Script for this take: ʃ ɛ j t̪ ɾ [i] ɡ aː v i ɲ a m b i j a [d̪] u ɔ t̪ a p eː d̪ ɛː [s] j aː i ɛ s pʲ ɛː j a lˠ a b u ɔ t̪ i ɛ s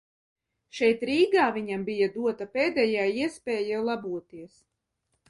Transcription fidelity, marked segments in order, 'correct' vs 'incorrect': incorrect, correct, incorrect

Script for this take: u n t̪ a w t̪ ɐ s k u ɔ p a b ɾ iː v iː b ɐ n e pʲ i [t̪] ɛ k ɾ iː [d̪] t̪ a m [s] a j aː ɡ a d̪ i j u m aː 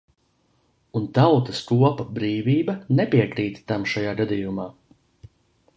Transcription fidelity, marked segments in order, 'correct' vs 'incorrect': incorrect, incorrect, incorrect

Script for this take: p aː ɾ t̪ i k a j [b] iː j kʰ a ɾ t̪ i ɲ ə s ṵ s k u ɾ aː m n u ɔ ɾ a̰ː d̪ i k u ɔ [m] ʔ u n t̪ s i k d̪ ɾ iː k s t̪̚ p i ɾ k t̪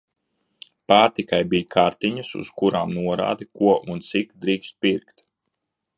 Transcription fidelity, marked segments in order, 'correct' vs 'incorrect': correct, incorrect

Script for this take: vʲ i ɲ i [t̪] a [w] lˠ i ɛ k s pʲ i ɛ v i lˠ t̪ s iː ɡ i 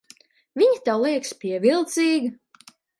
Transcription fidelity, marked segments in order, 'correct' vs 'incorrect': correct, correct

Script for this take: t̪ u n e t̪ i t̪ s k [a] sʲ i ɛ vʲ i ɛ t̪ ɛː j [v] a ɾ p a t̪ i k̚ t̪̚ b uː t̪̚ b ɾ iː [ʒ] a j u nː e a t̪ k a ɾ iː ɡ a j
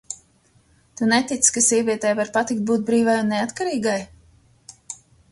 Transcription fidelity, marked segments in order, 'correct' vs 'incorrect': correct, correct, incorrect

